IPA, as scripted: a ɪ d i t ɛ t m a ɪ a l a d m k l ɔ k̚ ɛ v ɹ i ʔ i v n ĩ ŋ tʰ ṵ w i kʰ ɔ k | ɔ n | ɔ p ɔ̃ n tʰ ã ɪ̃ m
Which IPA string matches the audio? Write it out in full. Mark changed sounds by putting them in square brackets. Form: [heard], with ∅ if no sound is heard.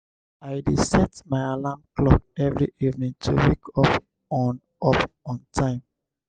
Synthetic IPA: a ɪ d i [s] ɛ t m a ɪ a l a [∅] m k l ɔ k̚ ɛ v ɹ i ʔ i v n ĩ ŋ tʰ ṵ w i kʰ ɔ [p] | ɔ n | ɔ p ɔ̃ n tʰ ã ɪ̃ m